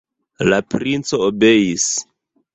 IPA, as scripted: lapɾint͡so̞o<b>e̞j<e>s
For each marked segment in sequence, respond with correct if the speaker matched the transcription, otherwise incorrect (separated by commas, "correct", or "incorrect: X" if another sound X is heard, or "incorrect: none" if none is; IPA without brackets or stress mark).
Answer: correct, incorrect: i